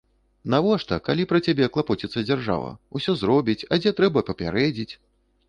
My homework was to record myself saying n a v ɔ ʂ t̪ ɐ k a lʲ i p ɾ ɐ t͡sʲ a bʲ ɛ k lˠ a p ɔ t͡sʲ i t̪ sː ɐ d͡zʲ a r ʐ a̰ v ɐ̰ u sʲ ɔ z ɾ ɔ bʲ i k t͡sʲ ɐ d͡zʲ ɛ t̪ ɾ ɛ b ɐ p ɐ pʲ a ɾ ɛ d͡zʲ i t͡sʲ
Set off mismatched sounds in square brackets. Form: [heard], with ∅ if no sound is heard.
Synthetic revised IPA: n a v ɔ ʂ t̪ ɐ k a lʲ i p ɾ ɐ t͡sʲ a bʲ ɛ k lˠ a p ɔ t͡sʲ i t̪ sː ɐ d͡zʲ a r ʐ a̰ v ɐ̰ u sʲ ɔ z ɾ ɔ bʲ i [∅] t͡sʲ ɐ d͡zʲ ɛ t̪ ɾ ɛ b ɐ p ɐ pʲ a ɾ ɛ d͡zʲ i t͡sʲ